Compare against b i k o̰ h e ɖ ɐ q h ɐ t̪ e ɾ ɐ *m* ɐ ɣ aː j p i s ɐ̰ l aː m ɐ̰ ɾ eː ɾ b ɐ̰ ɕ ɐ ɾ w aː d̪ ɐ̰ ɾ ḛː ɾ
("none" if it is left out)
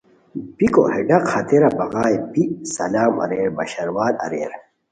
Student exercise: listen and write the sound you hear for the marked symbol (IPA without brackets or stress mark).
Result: b